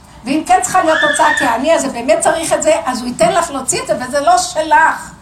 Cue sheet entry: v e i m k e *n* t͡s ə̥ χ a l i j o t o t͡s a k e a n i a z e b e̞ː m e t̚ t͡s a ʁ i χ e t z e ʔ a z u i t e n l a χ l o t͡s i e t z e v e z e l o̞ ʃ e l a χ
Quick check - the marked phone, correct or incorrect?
correct